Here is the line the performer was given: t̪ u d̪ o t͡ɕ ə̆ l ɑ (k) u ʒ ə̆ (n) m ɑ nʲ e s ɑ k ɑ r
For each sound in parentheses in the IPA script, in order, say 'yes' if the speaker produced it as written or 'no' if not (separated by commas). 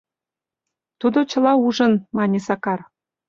no, yes